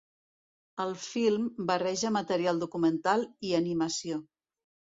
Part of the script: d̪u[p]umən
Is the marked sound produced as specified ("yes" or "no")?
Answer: no